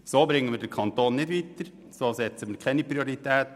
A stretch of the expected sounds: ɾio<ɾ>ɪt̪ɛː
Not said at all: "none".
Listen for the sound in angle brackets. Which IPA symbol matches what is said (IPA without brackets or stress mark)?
ɾ